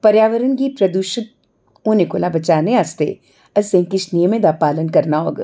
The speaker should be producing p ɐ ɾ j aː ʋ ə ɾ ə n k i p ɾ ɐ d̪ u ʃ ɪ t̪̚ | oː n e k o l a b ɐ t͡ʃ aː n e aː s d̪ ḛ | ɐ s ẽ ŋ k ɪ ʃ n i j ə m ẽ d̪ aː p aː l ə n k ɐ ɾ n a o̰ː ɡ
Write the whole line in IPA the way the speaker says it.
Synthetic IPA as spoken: p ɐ ɾ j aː ʋ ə ɾ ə n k i p ɾ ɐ d̪ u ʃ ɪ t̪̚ | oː n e k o l a b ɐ t͡ʃ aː n e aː s t̪ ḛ | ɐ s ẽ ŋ k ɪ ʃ n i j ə m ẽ d̪ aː p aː l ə n k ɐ ɾ n a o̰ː ɡ